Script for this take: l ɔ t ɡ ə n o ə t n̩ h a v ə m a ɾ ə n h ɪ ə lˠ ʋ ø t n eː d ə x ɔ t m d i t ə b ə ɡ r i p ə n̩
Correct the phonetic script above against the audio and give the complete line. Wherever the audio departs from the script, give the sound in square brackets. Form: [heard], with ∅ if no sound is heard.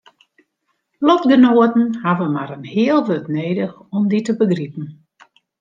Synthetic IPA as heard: l ɔ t ɡ ə n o ə t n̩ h a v ə m a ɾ ə n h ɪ ə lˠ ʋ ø t n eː d ə x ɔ [∅] m d i t ə b ə ɡ r i p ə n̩